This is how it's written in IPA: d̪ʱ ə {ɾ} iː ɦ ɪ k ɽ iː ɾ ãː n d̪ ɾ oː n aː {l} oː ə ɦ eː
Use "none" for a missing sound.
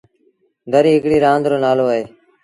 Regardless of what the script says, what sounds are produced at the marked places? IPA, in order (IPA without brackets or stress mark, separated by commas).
ɾ, l